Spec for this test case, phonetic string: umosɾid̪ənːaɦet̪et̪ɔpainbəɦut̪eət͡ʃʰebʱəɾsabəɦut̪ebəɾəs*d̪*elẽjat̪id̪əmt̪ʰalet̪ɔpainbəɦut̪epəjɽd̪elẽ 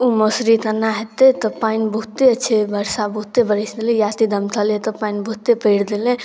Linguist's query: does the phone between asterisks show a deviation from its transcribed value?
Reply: no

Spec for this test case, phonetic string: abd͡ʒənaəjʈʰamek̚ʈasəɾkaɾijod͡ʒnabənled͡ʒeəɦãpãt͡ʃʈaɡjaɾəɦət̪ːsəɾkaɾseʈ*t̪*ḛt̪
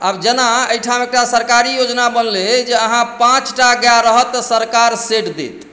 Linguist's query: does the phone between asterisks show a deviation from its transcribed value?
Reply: yes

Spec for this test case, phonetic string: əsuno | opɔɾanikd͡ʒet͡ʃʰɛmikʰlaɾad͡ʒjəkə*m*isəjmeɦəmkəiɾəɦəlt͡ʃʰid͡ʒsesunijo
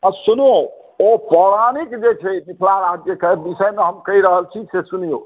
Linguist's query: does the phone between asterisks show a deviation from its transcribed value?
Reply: yes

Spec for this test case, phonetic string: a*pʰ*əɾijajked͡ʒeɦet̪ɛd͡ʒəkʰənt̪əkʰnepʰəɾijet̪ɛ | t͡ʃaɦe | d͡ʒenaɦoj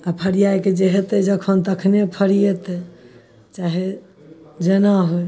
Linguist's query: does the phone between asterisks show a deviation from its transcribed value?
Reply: no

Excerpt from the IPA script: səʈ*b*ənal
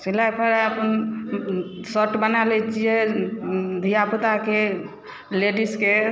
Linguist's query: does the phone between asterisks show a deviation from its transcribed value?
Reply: no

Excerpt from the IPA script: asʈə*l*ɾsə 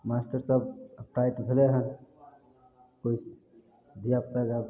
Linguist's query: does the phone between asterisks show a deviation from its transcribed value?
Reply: yes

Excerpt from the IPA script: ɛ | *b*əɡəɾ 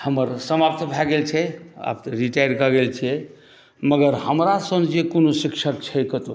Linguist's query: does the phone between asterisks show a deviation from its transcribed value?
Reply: yes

